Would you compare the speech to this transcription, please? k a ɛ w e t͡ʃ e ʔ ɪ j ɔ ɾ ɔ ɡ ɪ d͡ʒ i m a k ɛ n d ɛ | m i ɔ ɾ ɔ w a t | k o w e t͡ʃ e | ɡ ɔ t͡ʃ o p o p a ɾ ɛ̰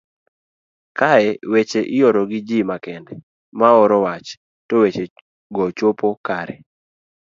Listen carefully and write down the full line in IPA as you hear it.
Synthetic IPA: k a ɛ w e t͡ʃ e ʔ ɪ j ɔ ɾ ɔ ɡ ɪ d͡ʒ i m a k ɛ n d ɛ | m a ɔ ɾ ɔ w a t͡ʃ | t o w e t͡ʃ e | ɡ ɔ t͡ʃ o p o k a ɾ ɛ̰